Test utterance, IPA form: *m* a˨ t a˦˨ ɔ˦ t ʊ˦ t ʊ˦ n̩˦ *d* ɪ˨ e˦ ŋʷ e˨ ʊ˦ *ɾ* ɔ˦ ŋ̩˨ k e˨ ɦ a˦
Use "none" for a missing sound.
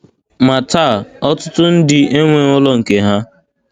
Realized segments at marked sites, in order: m, d, l

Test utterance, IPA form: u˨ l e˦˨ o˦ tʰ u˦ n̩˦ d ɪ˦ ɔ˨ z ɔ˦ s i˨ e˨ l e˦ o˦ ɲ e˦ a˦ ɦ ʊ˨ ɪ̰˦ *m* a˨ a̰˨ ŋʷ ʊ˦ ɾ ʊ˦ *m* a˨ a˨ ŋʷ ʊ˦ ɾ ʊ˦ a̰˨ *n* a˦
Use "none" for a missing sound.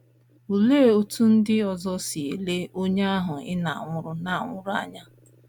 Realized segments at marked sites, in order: n, n, ɲ

